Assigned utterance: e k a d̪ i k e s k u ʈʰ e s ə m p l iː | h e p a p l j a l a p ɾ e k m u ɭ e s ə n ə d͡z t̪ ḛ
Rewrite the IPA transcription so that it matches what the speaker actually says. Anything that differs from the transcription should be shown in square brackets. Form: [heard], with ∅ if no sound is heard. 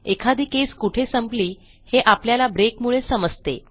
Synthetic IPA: e [kʰ] a d̪ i k e s k u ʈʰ e s ə m p l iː | h e [ʔ] a p l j a l a [b] ɾ e k m u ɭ e s ə [m] ə d͡z t̪ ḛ